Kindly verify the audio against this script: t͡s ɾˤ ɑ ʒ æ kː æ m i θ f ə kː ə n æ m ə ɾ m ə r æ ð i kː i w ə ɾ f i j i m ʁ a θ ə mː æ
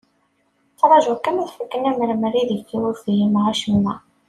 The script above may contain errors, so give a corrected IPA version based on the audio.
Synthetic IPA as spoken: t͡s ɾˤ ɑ ʒ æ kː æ m æ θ f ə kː ə n æ m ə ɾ m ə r i ð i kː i w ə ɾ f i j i m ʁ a ʃ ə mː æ